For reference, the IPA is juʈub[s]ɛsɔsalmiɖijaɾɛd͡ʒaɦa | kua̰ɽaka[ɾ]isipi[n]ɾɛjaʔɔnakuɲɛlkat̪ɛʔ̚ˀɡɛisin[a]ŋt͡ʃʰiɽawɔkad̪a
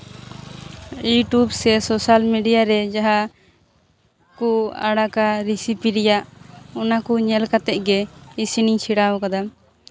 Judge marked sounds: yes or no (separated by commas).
yes, yes, no, no